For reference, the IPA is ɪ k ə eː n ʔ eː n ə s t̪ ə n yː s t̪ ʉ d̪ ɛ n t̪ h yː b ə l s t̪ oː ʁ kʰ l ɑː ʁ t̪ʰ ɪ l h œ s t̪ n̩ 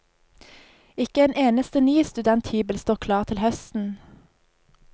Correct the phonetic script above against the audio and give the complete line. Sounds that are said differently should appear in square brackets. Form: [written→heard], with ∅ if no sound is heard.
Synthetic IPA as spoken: ɪ k ə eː n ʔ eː n ə s t̪ ə n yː s t̪ ʉ d̪ ɛ n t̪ h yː b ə l s t̪ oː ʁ kʰ l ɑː ʁ t̪ʰ ɪ l h œ s t̪ n̩

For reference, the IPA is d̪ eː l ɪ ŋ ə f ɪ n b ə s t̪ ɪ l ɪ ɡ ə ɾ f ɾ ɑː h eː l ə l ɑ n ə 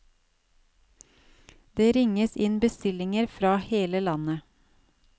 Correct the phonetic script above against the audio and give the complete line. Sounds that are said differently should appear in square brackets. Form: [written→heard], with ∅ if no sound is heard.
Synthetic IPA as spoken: d̪ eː [l→ɾ] ɪ ŋ ə [f→s] ɪ n b ə s t̪ ɪ l ɪ [ɡ→ŋ] ə ɾ f ɾ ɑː h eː l ə l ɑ n ə

